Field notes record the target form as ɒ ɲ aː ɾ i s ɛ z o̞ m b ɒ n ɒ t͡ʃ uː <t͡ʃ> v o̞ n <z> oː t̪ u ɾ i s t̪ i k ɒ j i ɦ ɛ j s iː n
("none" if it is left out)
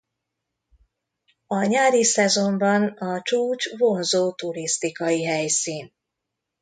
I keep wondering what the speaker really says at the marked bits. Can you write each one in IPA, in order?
t͡ʃ, z

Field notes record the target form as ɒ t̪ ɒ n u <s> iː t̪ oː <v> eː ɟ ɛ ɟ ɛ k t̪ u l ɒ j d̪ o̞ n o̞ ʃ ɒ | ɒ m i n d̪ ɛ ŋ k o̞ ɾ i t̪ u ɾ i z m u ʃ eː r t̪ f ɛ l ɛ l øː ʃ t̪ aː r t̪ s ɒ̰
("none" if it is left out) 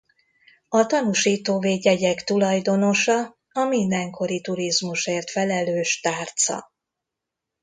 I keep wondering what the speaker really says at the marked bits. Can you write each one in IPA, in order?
ʃ, v

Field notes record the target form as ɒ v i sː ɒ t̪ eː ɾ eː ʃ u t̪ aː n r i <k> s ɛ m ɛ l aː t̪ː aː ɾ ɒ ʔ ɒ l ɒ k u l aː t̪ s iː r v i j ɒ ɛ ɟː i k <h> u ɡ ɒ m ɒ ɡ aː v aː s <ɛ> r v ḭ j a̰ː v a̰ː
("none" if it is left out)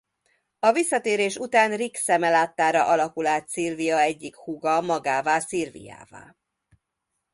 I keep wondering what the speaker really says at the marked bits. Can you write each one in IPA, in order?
k, h, i

